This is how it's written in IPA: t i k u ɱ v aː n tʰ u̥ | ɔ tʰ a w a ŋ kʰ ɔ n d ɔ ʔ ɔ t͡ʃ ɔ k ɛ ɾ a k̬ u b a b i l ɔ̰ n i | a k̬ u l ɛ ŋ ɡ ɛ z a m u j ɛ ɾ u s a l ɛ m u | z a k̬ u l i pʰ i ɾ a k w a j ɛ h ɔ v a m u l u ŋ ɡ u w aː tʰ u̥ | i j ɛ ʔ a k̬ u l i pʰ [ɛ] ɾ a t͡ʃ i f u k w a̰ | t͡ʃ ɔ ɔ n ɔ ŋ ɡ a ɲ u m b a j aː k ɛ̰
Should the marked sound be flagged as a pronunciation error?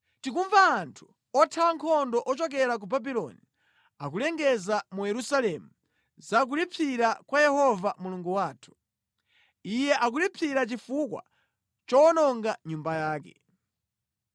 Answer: yes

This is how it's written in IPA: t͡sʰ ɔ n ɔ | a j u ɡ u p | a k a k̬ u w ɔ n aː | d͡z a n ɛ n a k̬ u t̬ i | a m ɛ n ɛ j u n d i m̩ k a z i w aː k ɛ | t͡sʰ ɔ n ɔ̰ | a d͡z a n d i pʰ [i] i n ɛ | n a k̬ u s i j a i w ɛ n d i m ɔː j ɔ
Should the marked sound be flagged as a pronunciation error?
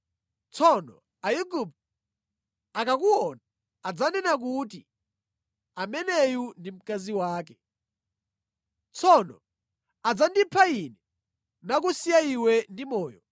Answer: yes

